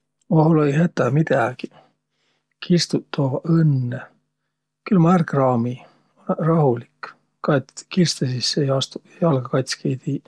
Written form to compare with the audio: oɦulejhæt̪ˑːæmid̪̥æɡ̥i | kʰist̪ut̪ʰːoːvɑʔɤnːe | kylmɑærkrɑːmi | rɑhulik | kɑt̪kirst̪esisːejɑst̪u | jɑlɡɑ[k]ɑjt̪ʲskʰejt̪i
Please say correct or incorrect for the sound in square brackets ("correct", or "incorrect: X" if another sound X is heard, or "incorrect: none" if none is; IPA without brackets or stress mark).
correct